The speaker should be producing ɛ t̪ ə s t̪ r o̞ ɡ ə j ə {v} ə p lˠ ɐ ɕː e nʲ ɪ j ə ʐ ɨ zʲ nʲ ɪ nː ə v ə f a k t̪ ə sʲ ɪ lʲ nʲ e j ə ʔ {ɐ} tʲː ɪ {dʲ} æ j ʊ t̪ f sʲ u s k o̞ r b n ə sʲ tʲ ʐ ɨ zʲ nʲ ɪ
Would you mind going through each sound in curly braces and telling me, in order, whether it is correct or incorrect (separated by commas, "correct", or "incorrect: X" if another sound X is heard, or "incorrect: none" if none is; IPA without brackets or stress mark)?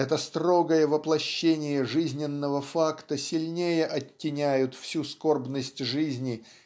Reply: correct, correct, incorrect: nʲ